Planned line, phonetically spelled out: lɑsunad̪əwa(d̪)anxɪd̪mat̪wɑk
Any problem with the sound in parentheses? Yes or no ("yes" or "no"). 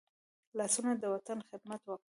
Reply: yes